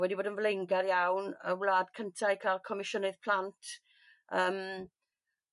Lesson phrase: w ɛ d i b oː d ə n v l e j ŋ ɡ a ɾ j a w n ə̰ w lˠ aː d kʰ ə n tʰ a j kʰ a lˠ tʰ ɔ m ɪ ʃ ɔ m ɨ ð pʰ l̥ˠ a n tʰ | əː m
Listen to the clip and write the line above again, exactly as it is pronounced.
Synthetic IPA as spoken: w ɛ d i b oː d ə n v l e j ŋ ɡ a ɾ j a w n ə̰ w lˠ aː d kʰ ə n tʰ a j kʰ a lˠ kʰ ɔ m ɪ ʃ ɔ n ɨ ð pʰ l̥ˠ a n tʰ | əː m